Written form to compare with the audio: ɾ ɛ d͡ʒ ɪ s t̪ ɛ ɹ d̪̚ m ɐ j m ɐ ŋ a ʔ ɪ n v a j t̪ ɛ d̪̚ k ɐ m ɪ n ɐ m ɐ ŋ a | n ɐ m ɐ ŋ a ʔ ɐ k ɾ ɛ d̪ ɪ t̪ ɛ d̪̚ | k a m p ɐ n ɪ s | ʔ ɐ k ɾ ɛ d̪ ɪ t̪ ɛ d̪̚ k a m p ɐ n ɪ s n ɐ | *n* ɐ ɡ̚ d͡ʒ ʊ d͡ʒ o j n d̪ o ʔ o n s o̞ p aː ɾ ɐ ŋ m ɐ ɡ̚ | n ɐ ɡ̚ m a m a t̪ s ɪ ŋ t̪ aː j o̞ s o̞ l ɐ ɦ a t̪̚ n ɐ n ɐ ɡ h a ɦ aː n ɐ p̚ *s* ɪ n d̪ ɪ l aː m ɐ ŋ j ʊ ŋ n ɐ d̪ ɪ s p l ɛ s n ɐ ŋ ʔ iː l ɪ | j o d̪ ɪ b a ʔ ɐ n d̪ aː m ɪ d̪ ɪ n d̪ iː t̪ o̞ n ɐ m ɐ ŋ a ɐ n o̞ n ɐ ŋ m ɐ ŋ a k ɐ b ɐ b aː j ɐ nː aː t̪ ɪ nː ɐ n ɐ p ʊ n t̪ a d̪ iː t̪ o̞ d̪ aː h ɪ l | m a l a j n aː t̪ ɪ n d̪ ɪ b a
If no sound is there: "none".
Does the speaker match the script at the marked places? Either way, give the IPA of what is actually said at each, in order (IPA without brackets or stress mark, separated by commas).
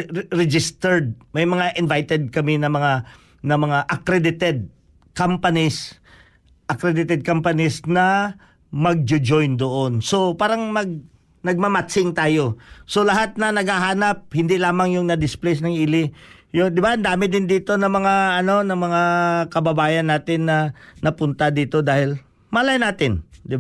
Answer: m, h